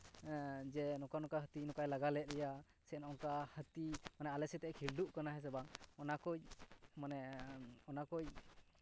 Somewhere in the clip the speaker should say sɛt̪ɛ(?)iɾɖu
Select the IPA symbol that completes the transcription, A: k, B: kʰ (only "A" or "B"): B